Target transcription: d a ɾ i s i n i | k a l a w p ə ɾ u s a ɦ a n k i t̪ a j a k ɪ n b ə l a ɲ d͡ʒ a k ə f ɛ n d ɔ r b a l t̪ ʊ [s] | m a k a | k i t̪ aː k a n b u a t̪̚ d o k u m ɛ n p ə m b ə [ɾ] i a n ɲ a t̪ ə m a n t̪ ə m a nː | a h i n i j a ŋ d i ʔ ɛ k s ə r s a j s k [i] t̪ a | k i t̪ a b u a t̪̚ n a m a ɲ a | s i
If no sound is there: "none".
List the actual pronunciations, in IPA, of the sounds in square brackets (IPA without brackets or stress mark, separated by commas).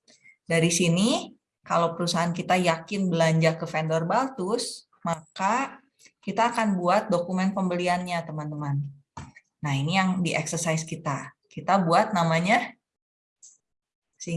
s, l, i